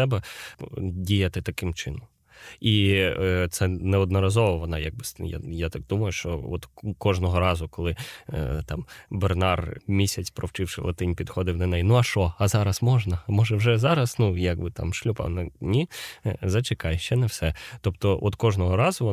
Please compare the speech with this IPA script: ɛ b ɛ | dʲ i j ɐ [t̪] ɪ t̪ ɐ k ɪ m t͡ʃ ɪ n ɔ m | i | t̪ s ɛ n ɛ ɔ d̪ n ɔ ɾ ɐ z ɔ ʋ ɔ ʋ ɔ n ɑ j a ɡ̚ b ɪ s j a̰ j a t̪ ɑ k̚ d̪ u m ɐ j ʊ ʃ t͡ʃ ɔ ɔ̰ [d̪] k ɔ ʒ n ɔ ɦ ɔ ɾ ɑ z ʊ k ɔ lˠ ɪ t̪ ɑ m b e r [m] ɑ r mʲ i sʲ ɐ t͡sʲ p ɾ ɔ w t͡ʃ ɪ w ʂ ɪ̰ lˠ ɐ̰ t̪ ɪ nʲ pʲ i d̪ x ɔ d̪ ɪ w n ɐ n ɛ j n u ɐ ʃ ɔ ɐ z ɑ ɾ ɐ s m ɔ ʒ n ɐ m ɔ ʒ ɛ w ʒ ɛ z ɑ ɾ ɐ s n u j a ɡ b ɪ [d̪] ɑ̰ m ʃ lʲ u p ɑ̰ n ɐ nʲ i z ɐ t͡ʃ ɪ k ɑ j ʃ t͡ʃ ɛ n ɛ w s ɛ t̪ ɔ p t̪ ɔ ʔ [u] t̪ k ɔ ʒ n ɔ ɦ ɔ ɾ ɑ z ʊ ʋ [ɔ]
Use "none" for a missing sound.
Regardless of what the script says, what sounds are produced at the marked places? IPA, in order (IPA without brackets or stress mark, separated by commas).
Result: t̪, t̪, n, t̪, ɔ, ɔ